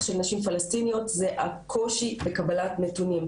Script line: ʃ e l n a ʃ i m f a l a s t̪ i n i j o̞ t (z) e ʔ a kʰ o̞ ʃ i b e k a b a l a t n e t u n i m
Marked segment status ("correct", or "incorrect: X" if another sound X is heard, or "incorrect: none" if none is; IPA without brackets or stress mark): correct